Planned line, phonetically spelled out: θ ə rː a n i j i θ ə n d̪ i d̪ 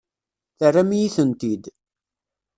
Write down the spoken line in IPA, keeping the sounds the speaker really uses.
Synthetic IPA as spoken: θ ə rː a m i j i θ ə n t̪ i d̪

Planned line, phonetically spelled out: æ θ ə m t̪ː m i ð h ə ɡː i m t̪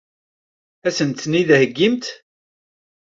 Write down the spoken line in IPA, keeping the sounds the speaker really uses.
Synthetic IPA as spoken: æ s ə n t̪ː n i ð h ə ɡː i m t̪

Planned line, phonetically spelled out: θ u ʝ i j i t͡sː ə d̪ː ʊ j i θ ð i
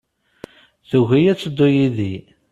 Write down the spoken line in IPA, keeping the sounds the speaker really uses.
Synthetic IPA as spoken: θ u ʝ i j æ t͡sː ə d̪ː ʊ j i ð i

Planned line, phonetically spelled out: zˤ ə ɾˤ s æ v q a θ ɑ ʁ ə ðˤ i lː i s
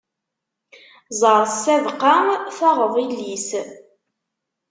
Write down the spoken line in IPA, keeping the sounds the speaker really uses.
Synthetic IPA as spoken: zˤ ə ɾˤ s æ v q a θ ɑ ʁ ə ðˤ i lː i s

